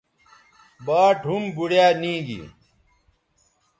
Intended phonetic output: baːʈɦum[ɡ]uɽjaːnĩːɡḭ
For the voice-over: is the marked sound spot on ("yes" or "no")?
no